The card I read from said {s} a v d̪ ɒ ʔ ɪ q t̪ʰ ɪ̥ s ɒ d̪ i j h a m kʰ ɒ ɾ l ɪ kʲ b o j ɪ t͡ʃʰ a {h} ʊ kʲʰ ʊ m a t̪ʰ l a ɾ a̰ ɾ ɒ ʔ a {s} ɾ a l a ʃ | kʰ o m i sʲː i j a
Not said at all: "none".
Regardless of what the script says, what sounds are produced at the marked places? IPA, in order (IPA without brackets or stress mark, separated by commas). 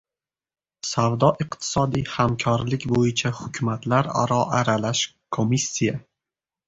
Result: s, h, none